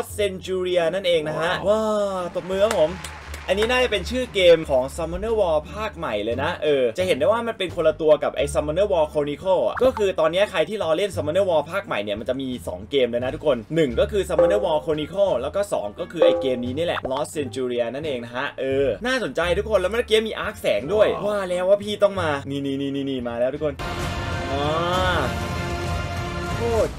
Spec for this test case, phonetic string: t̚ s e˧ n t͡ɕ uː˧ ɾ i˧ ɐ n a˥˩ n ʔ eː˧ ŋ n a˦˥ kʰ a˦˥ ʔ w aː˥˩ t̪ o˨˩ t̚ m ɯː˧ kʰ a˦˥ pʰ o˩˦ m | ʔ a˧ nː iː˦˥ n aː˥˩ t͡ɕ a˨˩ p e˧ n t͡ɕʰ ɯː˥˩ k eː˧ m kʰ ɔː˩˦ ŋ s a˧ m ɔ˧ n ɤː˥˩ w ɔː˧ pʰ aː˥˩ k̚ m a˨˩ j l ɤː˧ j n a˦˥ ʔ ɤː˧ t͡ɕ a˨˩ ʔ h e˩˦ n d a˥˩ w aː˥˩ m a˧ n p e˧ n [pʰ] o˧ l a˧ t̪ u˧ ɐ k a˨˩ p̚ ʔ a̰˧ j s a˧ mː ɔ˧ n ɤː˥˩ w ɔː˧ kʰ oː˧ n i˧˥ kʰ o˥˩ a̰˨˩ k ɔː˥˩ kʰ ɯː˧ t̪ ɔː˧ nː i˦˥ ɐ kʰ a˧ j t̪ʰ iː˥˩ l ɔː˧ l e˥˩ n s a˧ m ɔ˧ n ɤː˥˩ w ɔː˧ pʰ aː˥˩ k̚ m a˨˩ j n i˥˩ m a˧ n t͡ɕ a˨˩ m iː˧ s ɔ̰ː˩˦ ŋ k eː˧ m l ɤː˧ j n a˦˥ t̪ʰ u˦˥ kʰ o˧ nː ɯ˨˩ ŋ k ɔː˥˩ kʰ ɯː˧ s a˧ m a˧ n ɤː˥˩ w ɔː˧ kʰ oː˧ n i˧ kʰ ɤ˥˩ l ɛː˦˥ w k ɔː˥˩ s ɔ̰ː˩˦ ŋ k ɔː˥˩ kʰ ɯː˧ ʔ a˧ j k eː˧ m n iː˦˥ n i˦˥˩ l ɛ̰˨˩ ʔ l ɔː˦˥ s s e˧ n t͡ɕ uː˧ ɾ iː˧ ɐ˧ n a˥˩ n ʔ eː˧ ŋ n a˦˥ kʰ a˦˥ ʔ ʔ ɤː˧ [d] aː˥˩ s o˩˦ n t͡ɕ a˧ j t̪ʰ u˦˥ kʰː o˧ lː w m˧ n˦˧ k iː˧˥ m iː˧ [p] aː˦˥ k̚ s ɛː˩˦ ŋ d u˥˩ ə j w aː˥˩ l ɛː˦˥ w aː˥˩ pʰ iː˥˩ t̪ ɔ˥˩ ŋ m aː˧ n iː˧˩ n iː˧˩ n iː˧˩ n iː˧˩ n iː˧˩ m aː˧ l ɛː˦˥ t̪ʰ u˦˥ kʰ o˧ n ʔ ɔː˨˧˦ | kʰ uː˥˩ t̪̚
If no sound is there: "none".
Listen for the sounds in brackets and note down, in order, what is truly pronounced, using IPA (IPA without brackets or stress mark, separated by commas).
kʰ, n, ʔ